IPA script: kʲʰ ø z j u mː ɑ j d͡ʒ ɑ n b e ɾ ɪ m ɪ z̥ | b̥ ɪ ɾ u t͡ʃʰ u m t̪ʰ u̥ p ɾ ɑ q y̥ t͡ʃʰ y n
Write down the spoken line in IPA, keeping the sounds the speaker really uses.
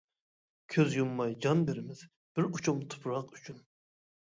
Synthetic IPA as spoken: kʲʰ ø z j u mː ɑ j d͡ʒ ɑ n b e ɾ ɪ m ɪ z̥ | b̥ ɪ ɾ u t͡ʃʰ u m t̪ʰ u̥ p ɾ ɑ q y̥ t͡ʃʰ y n

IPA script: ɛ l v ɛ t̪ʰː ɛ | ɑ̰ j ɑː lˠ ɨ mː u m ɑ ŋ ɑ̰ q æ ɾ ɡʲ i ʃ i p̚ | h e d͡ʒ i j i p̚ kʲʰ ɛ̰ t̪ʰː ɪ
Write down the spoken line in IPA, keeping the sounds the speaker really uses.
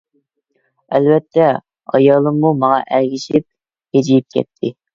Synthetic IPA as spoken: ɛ l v ɛ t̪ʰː ɛ | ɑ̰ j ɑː lˠ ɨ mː u m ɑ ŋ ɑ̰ ʔ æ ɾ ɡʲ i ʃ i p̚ | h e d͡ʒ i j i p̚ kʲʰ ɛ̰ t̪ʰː ɪ

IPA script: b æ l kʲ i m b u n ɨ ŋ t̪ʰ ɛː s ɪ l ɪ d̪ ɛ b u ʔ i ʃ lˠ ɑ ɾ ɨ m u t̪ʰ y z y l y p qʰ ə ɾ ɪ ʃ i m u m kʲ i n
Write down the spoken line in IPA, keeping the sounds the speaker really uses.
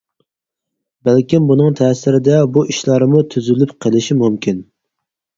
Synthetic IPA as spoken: b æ l kʲ i m b u n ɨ ŋ t̪ʰ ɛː s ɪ ɾ ɪ d̪ ɛ b u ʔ i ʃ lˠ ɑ ɾ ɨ m u t̪ʰ y z y l y p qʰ ə l ɪ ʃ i m u m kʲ i n

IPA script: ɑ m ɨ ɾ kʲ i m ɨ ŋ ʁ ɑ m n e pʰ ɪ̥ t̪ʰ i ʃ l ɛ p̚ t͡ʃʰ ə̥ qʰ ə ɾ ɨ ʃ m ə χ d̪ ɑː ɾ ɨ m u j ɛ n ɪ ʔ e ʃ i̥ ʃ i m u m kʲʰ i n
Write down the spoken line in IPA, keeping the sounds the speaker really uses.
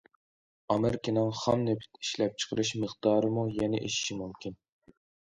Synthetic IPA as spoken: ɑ m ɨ ɾ kʲ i n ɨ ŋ χ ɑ m n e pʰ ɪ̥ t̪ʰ i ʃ l ɛ p̚ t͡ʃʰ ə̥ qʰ ə ɾ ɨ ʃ m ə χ d̪ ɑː ɾ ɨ m u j ɛ n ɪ ʔ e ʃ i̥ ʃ i m u m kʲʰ i n

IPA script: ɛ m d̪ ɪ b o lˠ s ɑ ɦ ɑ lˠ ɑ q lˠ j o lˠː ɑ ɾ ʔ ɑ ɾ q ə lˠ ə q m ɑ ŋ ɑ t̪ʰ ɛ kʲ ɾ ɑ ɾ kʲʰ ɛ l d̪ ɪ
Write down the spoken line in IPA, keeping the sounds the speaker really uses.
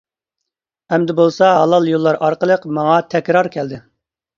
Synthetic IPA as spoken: ɛ m d̪ ɪ b o lˠ s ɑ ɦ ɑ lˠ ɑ lˠ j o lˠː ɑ ɾ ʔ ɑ ɾ q ə lˠ ə q m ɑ ŋ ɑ t̪ʰ ɛ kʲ ɾ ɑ ɾ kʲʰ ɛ l d̪ ɪ

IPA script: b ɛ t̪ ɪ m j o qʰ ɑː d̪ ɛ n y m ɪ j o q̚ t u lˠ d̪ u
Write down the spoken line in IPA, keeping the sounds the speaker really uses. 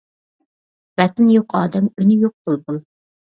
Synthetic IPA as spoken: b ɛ t̪ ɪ n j o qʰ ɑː d̪ ɛ m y n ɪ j o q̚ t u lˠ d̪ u

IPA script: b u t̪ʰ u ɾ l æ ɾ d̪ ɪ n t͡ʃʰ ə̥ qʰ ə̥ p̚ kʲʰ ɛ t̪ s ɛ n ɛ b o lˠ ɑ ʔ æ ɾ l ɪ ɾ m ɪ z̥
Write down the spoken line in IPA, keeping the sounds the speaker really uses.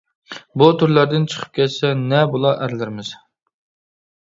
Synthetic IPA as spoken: b u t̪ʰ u ɾ l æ ɾ d̪ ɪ n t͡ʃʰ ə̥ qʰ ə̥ p̚ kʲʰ ɛ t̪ s ɛ n ɛ b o lˠ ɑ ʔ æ ɾ l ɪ ɾ m ɪ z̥

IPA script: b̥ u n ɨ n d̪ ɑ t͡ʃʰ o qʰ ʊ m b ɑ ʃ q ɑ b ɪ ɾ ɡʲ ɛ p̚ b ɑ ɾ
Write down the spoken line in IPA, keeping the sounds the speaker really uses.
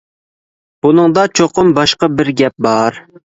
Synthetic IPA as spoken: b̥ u n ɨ ŋ d̪ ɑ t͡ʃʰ o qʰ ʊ m b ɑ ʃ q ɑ b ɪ ɾ ɡʲ ɛ p̚ b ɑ ɾ

